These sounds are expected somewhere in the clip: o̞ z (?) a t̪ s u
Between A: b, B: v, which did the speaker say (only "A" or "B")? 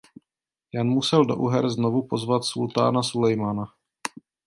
B